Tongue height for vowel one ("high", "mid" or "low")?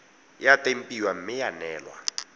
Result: low